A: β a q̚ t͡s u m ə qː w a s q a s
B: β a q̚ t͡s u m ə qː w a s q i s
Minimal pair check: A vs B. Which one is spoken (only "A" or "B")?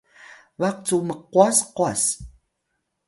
A